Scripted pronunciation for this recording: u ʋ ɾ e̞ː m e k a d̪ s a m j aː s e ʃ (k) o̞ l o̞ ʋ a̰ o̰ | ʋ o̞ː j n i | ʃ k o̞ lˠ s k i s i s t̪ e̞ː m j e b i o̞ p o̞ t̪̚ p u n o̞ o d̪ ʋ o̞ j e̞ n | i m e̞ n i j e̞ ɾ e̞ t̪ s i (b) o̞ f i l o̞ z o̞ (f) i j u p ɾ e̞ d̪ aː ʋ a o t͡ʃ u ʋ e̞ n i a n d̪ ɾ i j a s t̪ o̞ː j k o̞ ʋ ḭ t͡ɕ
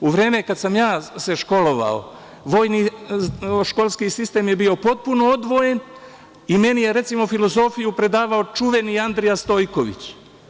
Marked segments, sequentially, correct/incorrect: correct, incorrect, correct

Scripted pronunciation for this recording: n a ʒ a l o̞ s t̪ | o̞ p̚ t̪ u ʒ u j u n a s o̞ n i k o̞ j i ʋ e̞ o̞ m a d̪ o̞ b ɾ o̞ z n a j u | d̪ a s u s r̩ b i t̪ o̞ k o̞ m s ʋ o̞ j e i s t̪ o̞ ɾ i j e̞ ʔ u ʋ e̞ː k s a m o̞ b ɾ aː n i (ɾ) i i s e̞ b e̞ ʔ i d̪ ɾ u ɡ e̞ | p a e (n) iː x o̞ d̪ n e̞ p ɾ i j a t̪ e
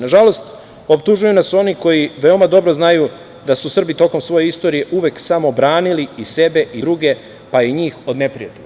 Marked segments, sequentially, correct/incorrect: incorrect, incorrect

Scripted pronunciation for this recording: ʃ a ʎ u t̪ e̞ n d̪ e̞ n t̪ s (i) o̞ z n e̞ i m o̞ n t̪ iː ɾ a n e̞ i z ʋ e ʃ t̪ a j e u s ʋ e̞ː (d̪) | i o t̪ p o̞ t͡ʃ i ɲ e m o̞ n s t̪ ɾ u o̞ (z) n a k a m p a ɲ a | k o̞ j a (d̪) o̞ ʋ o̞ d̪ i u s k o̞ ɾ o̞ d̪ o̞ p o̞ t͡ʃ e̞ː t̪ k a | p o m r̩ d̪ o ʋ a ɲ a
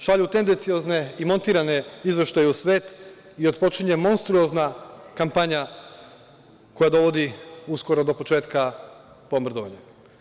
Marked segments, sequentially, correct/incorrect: correct, incorrect, correct, correct

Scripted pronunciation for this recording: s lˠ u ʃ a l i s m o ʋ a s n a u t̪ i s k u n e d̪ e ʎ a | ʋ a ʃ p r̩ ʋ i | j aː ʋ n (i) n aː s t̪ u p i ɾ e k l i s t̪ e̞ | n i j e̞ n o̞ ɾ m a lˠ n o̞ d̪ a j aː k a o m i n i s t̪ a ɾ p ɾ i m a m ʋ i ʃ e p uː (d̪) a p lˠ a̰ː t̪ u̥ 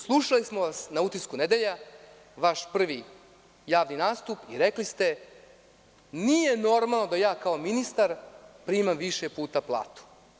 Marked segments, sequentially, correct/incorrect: correct, incorrect

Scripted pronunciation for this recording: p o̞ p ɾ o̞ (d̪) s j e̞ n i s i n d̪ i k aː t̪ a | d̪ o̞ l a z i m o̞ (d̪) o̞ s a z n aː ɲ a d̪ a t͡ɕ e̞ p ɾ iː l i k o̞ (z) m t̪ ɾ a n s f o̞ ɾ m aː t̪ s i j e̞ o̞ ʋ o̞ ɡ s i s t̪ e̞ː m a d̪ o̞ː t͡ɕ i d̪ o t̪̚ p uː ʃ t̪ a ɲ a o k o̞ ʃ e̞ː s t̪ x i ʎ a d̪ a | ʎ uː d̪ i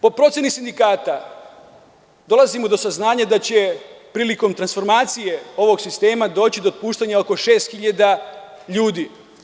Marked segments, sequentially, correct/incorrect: incorrect, correct, incorrect

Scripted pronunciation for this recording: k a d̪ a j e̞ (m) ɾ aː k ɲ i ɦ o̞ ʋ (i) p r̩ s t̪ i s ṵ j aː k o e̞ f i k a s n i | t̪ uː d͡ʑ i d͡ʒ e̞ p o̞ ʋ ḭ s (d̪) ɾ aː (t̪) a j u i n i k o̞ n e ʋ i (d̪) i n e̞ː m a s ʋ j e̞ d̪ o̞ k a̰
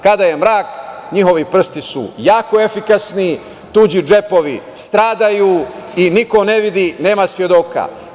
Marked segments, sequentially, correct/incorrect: correct, correct, incorrect, incorrect, correct

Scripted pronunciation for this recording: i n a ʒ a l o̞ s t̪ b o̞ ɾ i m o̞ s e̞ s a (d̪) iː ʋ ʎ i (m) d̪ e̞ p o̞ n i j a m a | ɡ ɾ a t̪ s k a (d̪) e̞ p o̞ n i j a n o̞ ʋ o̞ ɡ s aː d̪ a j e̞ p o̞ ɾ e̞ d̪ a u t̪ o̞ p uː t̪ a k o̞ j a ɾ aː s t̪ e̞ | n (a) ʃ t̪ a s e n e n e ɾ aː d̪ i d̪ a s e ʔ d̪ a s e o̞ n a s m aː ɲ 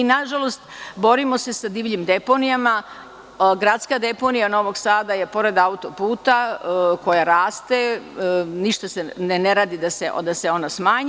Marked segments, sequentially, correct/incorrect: correct, correct, correct, incorrect

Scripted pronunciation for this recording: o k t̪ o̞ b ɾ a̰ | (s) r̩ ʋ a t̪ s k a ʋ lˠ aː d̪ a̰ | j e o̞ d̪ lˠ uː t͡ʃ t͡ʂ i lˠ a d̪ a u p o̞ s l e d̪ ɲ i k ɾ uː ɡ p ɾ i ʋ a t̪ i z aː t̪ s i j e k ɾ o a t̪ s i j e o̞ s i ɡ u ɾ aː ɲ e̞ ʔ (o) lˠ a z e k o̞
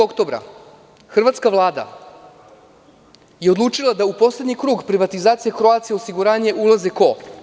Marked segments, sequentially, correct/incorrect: incorrect, incorrect

